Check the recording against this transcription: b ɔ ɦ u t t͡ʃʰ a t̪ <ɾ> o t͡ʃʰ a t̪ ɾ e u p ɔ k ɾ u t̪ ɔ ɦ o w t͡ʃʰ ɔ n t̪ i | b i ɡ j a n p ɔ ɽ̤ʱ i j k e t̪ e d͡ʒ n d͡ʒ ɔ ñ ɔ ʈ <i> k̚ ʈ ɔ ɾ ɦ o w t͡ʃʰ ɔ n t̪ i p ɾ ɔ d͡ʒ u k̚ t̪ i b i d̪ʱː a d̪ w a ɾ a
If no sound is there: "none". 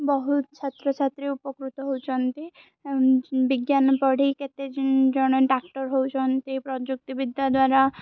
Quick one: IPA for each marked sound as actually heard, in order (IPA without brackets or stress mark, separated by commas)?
ɾ, a